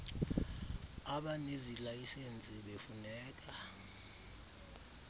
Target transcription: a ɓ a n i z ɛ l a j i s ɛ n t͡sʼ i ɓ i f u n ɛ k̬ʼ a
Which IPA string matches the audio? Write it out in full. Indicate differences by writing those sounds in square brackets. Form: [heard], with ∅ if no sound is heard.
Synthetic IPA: a ɓ a n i z [i] l a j i s [e] n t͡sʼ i ɓ [e] f u n [ɛː] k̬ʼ a